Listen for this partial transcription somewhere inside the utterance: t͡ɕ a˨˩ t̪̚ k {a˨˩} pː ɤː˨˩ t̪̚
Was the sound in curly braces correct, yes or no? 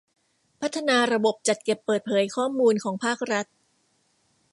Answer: no